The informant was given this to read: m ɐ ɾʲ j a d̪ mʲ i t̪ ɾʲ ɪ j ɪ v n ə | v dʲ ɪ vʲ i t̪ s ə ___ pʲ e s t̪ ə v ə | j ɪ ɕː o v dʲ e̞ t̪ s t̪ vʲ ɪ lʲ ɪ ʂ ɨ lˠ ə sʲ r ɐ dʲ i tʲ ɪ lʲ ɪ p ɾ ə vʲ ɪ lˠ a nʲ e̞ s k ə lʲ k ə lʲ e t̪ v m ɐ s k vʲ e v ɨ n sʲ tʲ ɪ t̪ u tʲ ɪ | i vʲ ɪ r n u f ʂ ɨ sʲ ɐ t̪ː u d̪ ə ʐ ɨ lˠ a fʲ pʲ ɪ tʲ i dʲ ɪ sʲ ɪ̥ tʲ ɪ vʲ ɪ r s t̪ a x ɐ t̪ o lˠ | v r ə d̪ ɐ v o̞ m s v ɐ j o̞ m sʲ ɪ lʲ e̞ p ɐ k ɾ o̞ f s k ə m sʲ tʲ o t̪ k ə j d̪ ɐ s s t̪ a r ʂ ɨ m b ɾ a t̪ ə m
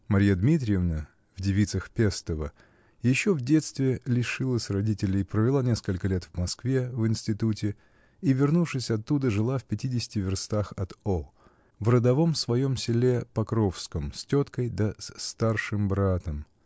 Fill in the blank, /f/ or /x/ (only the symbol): x